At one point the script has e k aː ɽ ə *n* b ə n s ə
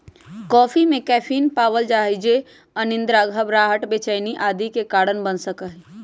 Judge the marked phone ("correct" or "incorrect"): correct